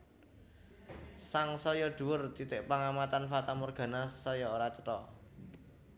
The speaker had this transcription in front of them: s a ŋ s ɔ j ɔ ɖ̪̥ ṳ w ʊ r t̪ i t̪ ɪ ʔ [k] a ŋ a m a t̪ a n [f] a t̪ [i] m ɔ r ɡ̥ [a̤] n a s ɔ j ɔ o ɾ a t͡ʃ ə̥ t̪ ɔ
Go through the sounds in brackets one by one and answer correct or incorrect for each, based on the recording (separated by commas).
incorrect, correct, incorrect, correct